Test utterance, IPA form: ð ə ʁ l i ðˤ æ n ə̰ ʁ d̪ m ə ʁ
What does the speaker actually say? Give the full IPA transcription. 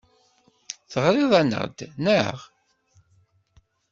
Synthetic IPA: θ ə ʁ ɾ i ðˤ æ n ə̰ ʁ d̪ n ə ʁ